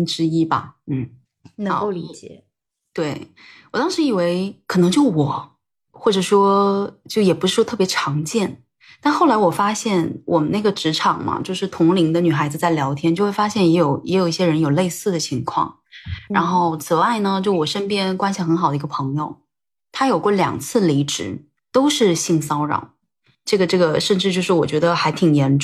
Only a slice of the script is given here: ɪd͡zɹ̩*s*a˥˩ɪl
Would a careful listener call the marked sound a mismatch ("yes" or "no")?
yes